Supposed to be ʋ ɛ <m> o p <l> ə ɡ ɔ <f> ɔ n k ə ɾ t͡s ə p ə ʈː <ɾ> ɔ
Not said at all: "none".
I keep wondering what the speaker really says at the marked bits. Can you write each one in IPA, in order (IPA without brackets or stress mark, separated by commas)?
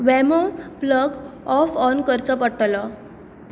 m, l, f, l